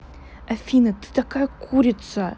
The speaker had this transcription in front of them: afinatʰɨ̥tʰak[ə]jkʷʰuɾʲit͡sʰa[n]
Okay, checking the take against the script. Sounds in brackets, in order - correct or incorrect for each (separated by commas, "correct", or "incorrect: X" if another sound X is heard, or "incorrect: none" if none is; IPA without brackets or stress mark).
incorrect: a, incorrect: none